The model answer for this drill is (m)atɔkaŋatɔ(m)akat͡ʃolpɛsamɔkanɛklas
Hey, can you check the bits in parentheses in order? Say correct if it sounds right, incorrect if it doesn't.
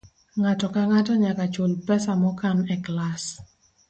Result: incorrect, incorrect

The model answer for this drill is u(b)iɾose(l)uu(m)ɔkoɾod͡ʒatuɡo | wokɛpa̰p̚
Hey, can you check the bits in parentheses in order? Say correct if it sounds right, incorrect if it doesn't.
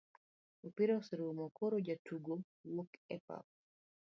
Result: incorrect, incorrect, correct

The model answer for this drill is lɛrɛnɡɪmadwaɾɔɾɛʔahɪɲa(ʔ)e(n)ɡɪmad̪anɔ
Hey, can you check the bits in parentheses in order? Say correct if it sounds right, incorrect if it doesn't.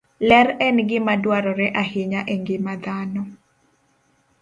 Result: correct, incorrect

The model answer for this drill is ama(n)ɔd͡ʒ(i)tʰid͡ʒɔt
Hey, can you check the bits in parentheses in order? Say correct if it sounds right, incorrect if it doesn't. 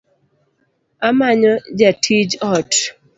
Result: incorrect, incorrect

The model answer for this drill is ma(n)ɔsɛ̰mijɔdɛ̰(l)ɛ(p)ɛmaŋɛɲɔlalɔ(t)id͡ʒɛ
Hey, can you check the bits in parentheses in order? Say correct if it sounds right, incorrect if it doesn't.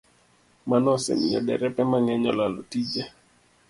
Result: correct, incorrect, correct, correct

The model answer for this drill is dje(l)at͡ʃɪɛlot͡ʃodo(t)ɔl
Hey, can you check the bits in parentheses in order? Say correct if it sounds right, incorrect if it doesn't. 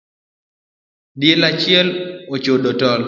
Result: correct, correct

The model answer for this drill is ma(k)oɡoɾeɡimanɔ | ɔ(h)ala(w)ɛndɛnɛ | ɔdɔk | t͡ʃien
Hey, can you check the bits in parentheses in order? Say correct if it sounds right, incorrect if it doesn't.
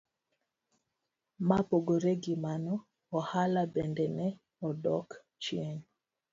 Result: incorrect, correct, incorrect

